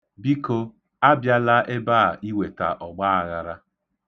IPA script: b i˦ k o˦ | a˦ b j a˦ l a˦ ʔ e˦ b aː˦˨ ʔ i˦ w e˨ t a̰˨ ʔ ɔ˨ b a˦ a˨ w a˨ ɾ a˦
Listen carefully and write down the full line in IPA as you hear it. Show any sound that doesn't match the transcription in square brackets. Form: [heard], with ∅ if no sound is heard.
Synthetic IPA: b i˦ k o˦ | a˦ b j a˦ l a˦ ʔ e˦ b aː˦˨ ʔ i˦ w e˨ t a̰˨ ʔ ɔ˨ [ɡ͡b] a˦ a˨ [ɣ] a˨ ɾ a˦